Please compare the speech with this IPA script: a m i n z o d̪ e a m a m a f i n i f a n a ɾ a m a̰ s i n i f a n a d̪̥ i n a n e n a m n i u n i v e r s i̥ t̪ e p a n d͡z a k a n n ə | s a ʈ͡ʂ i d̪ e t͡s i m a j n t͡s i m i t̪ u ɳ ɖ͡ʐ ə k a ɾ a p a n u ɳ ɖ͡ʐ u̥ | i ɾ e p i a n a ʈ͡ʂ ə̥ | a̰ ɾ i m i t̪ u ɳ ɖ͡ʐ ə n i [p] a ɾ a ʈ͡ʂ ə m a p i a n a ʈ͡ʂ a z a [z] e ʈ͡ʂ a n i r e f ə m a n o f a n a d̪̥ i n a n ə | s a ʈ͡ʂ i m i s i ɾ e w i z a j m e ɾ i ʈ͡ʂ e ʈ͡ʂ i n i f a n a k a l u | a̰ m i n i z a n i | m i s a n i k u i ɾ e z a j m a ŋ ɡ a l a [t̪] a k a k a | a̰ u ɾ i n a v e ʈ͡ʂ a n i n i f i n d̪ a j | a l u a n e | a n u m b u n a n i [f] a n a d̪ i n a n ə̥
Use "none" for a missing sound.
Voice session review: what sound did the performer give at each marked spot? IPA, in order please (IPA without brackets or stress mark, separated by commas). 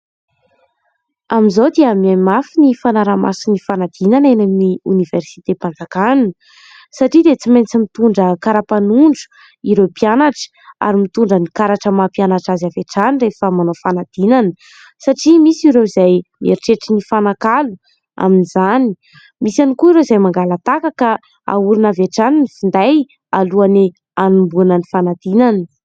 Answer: k, v, t̪, f